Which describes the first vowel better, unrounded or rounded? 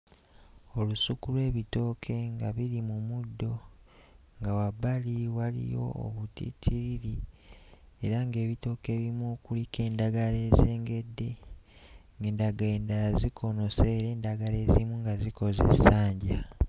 rounded